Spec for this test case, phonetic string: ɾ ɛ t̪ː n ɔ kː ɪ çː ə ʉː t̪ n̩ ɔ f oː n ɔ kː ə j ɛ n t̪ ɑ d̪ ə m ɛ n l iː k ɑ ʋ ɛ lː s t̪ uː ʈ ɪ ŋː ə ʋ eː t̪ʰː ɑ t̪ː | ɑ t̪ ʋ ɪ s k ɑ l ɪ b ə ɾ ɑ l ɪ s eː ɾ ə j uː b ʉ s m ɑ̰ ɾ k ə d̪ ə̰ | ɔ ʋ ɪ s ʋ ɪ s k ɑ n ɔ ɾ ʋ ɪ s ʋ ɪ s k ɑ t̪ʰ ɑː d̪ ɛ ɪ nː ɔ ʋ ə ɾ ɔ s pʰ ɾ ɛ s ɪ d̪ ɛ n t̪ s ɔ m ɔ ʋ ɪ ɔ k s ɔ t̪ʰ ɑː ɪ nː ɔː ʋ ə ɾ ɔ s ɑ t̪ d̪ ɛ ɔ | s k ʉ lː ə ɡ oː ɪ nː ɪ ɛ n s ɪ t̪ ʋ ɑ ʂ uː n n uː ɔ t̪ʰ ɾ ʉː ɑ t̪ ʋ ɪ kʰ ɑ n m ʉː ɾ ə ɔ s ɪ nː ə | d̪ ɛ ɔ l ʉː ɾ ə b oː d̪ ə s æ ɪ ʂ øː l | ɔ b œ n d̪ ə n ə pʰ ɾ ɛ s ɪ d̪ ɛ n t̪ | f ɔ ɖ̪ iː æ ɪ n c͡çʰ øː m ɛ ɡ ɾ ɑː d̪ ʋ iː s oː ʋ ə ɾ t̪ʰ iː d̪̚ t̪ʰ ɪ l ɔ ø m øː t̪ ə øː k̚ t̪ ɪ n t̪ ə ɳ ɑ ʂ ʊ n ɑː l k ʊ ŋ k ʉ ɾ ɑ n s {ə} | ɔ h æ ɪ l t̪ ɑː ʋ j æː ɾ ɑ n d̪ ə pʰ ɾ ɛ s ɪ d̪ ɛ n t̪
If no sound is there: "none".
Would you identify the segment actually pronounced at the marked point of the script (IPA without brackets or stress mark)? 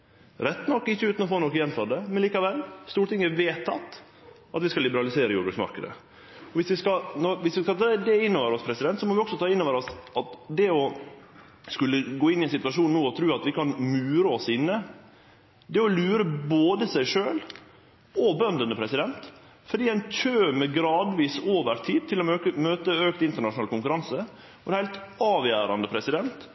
ə